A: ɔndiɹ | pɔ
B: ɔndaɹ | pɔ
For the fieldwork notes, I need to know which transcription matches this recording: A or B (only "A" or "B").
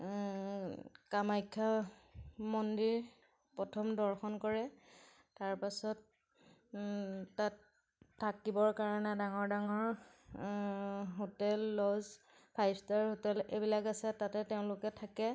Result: A